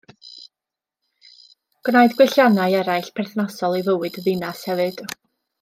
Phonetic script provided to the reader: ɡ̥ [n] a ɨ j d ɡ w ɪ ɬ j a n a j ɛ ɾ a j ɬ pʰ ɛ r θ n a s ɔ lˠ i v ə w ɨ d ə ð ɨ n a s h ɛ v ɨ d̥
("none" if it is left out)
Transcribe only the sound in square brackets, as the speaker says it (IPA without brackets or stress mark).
n